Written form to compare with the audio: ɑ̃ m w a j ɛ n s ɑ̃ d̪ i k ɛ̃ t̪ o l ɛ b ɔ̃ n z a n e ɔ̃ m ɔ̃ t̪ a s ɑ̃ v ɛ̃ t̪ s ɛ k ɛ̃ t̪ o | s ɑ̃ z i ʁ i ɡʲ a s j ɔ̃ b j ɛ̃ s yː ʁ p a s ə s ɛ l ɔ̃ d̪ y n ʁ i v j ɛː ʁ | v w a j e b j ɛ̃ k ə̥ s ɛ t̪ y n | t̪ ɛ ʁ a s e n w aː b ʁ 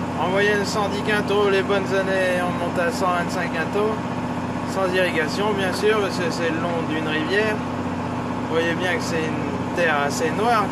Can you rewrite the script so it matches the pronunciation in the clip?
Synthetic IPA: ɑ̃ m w a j ɛ n s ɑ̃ d̪ i k ɛ̃ t̪ o l e b ɔ n z a n e ɔ̃ m ɔ̃ t̪ a s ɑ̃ v ɛ̃ t̪ s ɛ̃ k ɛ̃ t̪ o | s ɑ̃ z i ʁ i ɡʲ a s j ɔ̃ b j ɛ̃ s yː ʁ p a s ə s ɛ l ɔ̃ d̪ y n ʁ i v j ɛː ʁ | v w a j e b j ɛ̃ k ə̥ s ɛ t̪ y n | t̪ ɛ ʁ a s e n w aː ʁ